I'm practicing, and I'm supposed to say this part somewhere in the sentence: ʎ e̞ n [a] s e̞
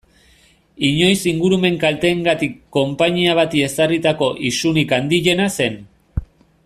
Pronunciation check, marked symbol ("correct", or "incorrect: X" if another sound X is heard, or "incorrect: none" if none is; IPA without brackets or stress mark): correct